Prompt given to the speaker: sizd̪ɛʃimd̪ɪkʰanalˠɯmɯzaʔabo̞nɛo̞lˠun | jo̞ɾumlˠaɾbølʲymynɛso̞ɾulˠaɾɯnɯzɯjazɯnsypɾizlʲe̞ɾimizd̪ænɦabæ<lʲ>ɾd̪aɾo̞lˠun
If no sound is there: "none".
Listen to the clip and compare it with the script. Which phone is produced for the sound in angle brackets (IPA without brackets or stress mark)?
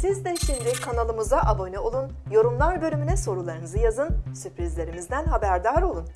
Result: none